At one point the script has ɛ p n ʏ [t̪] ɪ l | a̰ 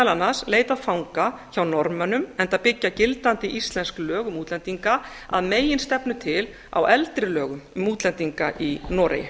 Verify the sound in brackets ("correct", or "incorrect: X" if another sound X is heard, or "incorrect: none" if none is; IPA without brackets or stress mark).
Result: incorrect: t̪ʰ